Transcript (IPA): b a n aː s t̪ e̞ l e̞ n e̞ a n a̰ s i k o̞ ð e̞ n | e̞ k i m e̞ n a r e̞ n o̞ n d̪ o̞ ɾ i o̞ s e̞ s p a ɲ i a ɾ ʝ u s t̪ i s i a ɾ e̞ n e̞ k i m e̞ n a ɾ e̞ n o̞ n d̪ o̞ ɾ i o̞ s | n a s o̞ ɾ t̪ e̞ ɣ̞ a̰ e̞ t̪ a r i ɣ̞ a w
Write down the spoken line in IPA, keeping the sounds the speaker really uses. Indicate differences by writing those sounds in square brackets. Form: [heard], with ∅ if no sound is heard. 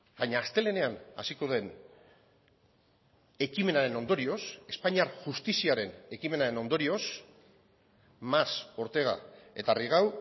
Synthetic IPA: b a [ɲ] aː s t̪ e̞ l e̞ n e̞ a n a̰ s i k o̞ ð e̞ n | e̞ k i m e̞ n a [ɾ] e̞ n o̞ n d̪ o̞ ɾ i o̞ s e̞ s p a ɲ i a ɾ ʝ u s t̪ i s i a ɾ e̞ n e̞ k i m e̞ n a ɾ e̞ n o̞ n d̪ o̞ ɾ i o̞ s | [m] a s o̞ ɾ t̪ e̞ ɣ̞ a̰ e̞ t̪ a r i ɣ̞ a w